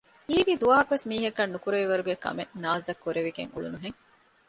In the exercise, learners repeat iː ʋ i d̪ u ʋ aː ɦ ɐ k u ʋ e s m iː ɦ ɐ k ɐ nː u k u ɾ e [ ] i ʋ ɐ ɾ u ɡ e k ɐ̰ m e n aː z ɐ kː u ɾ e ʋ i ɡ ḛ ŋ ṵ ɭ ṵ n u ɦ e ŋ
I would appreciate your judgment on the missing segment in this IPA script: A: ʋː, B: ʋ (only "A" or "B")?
B